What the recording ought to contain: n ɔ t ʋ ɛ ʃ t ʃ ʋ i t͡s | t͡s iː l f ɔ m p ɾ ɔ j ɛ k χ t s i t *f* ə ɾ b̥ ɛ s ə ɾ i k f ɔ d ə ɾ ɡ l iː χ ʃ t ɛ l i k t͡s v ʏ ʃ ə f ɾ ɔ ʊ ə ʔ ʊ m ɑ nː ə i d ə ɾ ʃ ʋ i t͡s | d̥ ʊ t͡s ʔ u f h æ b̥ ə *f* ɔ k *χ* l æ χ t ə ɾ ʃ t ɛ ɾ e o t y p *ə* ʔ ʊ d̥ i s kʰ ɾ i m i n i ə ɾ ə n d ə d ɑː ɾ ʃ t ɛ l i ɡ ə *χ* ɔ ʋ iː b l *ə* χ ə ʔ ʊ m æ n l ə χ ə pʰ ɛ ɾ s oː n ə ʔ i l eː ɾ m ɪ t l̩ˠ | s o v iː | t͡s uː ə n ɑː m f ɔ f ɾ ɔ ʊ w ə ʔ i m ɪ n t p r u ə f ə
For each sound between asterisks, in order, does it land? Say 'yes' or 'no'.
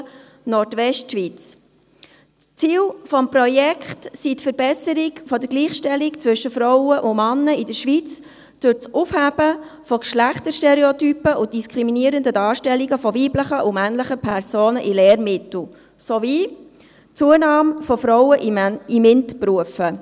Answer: yes, yes, no, yes, no, yes

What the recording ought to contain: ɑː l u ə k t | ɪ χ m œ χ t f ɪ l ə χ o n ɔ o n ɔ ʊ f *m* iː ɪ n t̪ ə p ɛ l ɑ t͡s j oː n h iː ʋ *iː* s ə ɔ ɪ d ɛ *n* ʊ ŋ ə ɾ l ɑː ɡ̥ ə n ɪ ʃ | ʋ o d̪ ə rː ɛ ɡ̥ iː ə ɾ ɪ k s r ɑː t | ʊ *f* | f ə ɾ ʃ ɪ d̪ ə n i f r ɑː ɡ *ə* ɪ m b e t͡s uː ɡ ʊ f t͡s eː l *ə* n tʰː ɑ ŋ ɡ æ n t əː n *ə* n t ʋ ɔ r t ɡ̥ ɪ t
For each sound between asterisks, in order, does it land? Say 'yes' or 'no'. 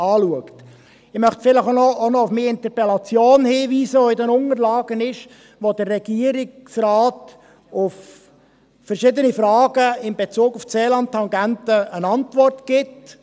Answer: yes, yes, yes, yes, yes, no, no

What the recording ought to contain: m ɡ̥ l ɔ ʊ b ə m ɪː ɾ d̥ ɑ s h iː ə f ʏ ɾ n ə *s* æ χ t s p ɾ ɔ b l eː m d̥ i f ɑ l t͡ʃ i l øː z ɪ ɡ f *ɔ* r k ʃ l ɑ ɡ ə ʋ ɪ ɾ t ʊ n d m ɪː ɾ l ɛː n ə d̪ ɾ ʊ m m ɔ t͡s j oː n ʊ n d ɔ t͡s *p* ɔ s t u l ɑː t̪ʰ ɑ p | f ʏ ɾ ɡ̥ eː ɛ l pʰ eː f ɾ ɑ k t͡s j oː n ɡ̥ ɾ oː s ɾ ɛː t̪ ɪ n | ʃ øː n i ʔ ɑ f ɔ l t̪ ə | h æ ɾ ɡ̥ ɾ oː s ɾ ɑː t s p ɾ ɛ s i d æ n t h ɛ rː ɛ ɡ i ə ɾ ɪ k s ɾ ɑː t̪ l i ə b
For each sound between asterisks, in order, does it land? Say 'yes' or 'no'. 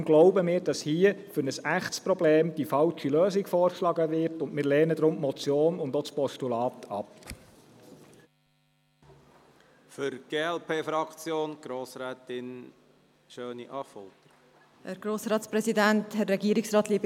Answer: yes, no, yes

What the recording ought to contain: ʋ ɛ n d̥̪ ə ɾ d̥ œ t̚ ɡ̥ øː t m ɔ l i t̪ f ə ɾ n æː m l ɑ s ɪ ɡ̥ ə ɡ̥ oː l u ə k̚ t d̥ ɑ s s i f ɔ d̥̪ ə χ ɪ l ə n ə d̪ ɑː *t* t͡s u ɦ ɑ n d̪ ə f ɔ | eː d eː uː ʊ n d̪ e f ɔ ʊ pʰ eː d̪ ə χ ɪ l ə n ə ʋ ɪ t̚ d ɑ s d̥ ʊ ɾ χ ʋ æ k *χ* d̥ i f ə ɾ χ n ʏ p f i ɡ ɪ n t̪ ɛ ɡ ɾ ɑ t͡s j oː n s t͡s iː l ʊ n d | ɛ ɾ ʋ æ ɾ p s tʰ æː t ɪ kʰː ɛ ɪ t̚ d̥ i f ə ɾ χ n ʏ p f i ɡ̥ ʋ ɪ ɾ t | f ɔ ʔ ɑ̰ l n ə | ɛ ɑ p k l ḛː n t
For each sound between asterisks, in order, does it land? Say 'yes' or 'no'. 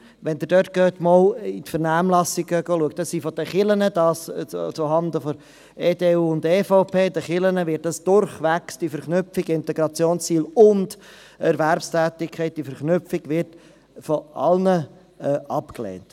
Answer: no, no

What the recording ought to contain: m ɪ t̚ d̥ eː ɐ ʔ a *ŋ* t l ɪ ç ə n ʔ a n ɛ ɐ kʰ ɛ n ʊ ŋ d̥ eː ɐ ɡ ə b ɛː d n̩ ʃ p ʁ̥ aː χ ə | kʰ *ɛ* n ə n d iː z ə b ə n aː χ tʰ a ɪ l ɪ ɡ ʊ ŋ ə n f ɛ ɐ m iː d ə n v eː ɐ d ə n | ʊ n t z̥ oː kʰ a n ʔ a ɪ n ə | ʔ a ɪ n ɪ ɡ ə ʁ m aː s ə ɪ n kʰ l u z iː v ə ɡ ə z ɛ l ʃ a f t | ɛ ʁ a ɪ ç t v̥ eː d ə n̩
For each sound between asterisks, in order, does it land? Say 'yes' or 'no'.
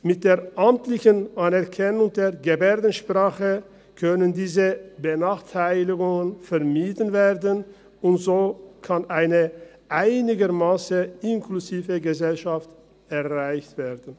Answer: no, no

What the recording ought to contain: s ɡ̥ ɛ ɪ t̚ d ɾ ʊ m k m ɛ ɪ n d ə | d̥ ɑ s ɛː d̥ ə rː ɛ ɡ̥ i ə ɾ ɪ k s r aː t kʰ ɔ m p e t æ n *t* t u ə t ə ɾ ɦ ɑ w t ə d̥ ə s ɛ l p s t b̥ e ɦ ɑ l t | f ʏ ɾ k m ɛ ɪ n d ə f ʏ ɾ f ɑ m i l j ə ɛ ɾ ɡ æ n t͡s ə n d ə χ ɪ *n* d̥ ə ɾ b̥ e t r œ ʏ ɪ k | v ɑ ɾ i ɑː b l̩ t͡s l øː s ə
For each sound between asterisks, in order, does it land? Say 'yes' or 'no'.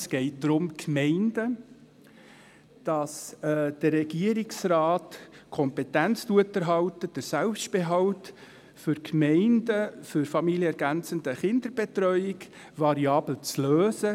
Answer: no, yes

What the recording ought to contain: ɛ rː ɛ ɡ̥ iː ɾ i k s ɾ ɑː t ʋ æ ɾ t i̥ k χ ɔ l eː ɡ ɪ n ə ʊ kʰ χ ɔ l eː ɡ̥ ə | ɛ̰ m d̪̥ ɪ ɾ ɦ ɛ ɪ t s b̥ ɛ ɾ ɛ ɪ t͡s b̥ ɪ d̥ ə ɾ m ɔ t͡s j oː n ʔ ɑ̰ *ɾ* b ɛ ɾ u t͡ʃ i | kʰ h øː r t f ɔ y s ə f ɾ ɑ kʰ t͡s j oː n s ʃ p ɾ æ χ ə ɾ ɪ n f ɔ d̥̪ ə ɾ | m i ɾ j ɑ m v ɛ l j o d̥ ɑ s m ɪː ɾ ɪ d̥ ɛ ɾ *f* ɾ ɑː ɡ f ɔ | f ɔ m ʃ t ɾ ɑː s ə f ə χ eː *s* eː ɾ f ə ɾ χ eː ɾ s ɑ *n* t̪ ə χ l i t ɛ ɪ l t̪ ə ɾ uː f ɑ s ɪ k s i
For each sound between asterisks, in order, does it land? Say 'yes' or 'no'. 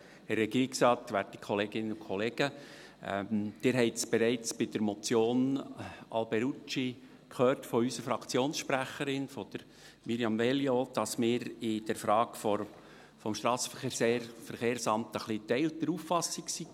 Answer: no, yes, yes, no

